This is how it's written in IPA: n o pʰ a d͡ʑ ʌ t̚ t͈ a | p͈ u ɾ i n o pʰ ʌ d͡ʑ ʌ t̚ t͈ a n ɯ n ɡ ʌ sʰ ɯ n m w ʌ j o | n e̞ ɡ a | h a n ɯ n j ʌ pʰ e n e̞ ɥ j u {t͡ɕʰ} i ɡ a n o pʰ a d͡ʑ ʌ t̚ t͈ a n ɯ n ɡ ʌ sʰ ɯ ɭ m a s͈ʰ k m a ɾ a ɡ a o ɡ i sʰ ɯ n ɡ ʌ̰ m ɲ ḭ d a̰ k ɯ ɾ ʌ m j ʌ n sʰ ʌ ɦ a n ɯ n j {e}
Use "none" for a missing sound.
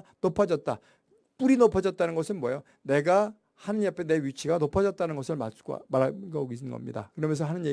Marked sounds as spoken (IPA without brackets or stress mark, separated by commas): t͡ɕʰ, e